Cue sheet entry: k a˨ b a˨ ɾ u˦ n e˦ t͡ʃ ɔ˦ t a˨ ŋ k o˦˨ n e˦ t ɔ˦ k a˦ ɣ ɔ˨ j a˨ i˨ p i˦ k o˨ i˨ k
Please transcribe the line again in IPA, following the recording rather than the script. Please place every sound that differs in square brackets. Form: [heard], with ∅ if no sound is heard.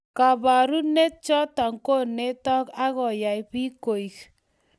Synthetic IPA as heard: k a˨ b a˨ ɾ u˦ n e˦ t͡ʃ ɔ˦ t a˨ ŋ k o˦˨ n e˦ t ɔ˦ k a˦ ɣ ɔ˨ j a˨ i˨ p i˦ k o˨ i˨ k